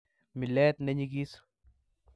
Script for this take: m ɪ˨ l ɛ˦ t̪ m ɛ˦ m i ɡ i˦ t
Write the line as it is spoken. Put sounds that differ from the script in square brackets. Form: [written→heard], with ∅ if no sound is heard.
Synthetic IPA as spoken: m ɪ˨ l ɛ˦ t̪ [m→n] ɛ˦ [m→ɲ] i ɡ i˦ [t→s]